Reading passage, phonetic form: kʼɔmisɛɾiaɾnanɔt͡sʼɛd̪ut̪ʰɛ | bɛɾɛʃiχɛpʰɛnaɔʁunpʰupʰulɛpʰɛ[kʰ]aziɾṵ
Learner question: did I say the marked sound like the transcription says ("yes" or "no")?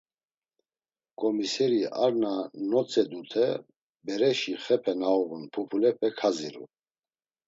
yes